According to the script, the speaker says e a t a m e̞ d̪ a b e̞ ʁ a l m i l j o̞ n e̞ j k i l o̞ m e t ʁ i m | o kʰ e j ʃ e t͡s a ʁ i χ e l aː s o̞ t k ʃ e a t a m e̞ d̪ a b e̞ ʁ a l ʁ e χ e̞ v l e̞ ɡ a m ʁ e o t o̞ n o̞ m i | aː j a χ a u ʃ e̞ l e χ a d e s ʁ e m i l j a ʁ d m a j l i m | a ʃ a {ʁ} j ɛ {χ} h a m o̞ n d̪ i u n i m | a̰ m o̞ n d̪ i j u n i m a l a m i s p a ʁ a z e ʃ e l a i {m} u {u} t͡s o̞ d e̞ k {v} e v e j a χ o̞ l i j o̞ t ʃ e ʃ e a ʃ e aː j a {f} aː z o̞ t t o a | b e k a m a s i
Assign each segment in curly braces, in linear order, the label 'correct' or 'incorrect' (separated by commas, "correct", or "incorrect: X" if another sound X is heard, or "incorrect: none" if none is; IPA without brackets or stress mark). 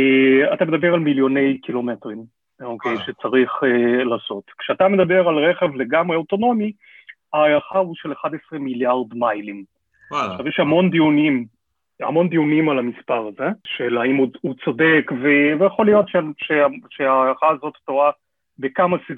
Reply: incorrect: v, incorrect: ʃ, correct, correct, correct, incorrect: χ